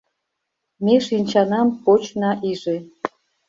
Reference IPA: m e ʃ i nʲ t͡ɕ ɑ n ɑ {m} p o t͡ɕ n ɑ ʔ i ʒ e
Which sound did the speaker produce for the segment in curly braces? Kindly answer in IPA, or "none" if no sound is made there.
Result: m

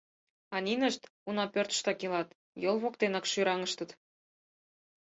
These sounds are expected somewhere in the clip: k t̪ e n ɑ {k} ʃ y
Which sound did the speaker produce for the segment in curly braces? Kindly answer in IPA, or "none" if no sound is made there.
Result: k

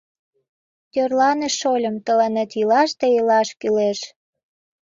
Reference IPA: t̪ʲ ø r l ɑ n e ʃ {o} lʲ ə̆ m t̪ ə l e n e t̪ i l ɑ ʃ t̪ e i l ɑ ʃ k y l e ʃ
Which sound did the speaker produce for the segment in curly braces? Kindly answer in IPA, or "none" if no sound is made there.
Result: o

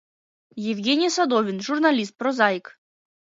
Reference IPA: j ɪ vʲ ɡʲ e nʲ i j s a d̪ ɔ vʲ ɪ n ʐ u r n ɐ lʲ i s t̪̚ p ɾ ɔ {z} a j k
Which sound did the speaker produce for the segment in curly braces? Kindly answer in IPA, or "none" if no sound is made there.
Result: z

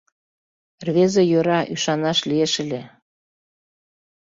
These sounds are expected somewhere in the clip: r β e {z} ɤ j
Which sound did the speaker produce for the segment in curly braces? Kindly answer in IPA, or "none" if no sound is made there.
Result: z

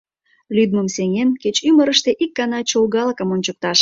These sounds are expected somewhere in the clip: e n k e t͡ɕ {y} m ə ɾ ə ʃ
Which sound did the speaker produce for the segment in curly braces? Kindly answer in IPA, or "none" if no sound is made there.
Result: y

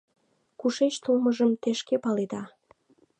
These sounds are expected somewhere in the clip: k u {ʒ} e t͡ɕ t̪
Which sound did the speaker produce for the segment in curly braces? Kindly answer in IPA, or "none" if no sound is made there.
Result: ʃ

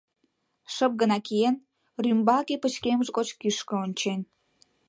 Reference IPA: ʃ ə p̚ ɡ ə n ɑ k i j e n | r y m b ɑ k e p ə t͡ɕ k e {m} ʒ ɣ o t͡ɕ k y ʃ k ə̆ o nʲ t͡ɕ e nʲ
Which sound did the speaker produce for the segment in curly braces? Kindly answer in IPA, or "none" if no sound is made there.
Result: m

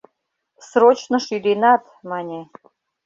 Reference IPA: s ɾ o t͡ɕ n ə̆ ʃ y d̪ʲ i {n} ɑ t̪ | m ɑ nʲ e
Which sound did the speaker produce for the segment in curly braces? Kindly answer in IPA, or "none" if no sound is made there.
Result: n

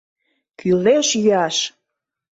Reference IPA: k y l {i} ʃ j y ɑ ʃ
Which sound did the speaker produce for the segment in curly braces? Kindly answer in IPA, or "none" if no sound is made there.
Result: e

